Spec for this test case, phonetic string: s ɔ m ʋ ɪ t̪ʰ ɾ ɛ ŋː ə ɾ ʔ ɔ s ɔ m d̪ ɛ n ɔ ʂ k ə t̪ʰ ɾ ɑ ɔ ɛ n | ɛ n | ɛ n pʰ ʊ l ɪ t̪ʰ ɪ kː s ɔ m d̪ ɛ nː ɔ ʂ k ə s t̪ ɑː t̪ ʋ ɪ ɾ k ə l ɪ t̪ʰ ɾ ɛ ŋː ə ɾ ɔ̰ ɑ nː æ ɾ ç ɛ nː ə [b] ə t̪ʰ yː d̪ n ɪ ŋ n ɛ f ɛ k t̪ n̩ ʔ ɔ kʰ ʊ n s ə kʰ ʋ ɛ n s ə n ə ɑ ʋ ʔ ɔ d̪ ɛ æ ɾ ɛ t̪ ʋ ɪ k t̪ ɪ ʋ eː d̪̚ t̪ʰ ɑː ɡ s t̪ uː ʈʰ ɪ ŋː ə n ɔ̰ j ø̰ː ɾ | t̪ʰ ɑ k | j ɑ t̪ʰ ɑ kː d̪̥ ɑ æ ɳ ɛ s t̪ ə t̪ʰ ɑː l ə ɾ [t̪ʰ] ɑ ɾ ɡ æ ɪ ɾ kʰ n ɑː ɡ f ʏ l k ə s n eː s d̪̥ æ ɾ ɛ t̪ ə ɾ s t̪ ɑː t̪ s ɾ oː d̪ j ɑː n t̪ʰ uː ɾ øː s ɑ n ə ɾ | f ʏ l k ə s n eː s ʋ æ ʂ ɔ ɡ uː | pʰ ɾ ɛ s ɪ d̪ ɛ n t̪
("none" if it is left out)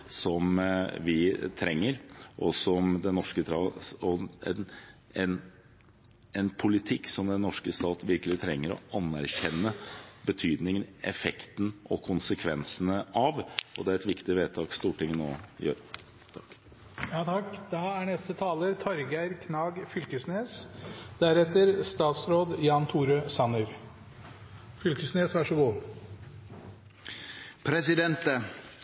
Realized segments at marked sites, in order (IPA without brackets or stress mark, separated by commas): b, t̪ʰ